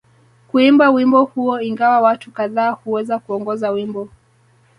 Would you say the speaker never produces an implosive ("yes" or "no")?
yes